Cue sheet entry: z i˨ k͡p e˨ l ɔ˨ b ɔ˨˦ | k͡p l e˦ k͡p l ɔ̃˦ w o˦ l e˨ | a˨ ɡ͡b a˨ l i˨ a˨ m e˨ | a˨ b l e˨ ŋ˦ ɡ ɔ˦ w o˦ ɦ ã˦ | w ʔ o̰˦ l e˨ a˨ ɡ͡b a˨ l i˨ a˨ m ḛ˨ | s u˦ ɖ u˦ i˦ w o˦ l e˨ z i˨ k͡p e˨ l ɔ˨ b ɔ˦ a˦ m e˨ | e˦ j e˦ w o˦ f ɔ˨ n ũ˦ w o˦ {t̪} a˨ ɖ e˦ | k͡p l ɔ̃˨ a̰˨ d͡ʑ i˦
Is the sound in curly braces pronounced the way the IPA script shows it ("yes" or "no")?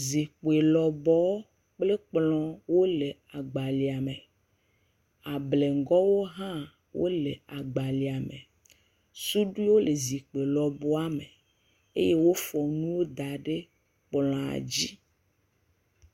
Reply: no